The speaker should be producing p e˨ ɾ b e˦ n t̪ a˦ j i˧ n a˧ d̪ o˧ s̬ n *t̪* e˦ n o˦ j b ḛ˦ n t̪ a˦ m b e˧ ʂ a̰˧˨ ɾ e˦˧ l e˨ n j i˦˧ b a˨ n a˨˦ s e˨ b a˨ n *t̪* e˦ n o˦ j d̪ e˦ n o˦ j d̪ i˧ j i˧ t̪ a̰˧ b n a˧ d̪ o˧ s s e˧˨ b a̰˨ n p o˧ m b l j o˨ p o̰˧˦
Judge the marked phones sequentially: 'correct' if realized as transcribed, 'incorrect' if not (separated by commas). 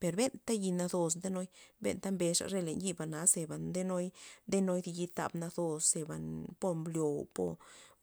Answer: incorrect, incorrect